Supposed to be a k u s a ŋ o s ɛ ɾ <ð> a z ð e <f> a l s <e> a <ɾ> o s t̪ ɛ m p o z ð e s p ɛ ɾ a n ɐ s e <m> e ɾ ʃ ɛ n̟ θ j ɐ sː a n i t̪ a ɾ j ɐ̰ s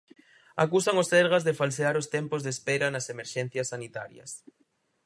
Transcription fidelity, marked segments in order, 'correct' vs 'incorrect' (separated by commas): incorrect, correct, correct, correct, correct